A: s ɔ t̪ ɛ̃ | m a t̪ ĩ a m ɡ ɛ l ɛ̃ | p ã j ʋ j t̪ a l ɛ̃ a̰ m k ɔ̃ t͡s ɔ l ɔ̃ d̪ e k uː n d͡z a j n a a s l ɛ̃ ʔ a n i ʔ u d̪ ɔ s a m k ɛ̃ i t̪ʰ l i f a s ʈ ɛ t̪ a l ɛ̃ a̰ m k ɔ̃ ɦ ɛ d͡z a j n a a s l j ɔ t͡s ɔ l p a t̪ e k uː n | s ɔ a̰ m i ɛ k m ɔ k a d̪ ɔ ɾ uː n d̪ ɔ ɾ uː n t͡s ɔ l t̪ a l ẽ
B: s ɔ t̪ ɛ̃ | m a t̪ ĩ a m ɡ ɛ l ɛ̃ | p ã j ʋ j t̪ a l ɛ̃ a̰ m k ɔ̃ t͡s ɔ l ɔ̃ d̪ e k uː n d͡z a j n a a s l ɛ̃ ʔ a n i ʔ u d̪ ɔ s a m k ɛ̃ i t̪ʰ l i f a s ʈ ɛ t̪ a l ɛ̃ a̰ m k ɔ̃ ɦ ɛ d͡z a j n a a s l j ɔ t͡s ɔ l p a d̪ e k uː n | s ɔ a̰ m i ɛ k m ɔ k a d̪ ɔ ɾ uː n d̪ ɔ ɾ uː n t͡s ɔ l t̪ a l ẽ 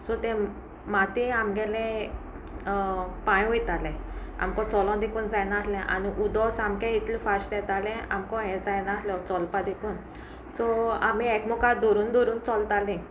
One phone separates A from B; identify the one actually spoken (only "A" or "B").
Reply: B